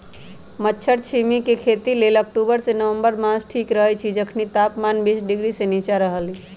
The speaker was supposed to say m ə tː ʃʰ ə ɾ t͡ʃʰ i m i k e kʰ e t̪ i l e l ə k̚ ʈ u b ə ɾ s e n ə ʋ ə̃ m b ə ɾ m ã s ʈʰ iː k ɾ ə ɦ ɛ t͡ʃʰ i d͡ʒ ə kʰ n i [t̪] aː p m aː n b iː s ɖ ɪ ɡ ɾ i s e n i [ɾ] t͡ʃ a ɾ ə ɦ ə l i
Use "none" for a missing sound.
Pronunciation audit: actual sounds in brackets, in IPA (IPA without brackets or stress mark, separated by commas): t̪, none